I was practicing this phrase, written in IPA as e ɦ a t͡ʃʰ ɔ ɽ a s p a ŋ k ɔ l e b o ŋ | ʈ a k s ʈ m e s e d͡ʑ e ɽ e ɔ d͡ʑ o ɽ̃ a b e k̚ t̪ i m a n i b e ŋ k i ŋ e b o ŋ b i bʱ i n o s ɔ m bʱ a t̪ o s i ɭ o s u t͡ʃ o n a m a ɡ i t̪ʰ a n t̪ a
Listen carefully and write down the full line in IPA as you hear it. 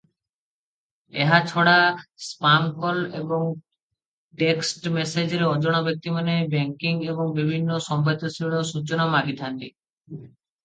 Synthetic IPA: e ɦ a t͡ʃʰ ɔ ɽ a s p a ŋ k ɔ l e b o ŋ | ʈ e k s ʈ m e s e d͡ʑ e ɾ e ɔ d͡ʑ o ɽ̃ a b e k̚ t̪ i m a n e b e ŋ k i ŋ e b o ŋ b i bʱ i nː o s ɔ m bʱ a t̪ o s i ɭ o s u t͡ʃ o n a m a ɡ i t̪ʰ a n t̪ i